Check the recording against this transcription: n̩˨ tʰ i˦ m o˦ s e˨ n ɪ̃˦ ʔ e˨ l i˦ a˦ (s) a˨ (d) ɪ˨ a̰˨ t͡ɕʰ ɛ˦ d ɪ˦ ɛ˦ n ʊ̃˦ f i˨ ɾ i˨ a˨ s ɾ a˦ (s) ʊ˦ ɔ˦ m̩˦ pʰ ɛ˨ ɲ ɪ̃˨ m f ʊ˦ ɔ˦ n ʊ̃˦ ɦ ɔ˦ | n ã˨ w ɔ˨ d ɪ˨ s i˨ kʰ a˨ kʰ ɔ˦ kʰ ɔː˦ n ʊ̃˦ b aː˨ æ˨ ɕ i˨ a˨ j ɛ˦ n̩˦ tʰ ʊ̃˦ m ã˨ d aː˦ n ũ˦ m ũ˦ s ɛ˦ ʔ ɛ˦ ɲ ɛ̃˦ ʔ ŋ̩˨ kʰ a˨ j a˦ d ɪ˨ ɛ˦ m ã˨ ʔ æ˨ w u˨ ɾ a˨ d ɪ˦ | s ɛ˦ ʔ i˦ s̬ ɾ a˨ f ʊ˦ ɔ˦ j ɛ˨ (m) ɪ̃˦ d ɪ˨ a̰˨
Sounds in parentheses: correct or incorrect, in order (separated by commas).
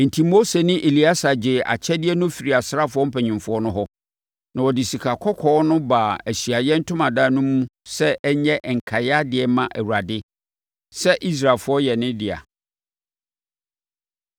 correct, incorrect, incorrect, incorrect